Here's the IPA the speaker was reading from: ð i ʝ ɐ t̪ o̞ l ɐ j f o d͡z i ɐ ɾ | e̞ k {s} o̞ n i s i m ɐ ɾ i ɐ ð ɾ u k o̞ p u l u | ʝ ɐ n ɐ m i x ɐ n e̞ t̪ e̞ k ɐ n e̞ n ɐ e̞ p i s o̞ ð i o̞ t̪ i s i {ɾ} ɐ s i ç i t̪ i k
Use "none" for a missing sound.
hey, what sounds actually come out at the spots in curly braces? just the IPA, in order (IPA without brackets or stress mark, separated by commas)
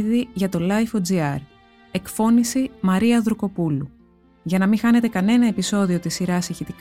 f, ɾ